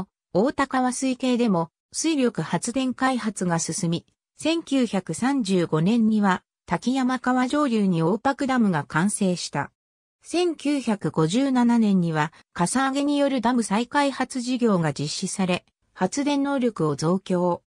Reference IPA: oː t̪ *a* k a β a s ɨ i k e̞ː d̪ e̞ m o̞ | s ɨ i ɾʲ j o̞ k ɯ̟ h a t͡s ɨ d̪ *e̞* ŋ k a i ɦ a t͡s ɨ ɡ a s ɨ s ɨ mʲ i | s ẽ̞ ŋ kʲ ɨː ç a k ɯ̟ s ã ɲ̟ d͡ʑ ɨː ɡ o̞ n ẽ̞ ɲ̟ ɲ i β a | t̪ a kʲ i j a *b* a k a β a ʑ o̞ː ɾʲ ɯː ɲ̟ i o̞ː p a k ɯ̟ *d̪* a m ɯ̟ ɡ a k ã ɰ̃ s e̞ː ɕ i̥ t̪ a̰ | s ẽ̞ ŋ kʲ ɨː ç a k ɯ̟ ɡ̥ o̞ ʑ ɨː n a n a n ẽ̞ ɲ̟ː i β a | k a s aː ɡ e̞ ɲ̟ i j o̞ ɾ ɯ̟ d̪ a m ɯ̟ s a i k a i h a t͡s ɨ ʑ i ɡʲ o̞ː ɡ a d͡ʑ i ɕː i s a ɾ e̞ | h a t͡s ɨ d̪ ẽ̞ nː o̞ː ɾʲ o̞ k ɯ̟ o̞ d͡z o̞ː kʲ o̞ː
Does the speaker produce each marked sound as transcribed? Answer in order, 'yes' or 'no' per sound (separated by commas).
yes, no, no, yes